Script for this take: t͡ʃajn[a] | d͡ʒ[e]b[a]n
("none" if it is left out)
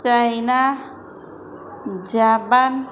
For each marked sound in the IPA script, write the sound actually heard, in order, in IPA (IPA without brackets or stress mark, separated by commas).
a, a, a